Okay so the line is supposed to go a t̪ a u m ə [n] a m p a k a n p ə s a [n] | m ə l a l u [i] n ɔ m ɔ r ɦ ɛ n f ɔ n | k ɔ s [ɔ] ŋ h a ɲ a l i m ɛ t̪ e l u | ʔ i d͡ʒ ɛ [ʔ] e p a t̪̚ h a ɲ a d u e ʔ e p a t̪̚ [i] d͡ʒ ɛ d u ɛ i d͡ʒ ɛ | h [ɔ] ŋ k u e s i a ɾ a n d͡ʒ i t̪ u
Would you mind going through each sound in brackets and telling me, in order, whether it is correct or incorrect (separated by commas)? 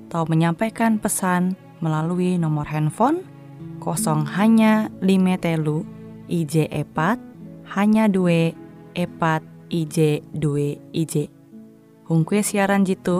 incorrect, correct, correct, correct, correct, correct, incorrect